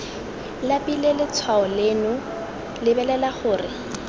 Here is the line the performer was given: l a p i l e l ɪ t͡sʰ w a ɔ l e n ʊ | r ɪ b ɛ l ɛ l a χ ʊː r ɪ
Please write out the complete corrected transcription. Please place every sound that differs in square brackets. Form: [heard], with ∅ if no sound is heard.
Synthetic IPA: l a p i l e l ɪ t͡sʰ w a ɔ l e n ʊ | [l] ɪ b ɛ l ɛ l a χ ʊː r ɪ